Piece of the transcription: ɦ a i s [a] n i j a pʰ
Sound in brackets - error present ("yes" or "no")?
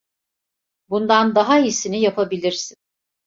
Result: yes